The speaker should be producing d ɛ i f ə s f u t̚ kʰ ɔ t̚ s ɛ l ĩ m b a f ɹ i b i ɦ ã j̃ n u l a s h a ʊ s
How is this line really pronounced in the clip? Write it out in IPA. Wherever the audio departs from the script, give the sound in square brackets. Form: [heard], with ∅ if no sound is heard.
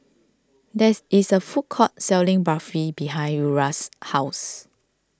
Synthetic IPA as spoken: d ɛ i [s] ə [∅] f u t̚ kʰ ɔ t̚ s ɛ l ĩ [ŋ] b a f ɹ i b i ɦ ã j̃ n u [ɹ] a s h a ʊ s